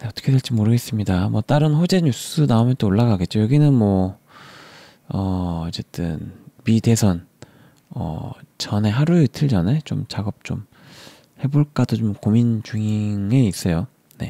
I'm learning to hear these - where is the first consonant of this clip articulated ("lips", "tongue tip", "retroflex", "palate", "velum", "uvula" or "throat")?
tongue tip